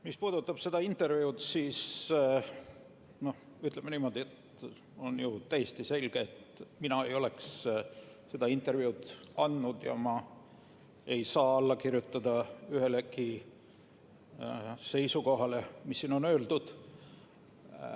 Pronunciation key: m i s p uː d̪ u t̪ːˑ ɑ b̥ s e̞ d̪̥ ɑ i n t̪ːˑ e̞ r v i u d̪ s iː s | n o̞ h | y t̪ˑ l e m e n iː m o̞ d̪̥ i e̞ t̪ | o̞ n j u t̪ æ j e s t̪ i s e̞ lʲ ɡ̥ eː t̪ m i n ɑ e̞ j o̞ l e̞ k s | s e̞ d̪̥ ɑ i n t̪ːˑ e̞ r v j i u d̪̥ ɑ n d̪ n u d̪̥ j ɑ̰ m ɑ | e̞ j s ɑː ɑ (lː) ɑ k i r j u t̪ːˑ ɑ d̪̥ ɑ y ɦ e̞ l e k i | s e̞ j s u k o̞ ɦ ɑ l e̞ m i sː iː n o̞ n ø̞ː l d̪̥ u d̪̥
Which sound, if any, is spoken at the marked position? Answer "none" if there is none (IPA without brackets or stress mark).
lː